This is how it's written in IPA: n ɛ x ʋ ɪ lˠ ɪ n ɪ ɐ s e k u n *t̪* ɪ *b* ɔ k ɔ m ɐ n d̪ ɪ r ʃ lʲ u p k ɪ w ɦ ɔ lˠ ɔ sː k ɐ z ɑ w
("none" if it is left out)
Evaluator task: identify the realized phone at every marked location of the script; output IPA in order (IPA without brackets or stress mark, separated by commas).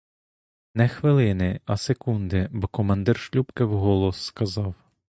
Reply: d̪, b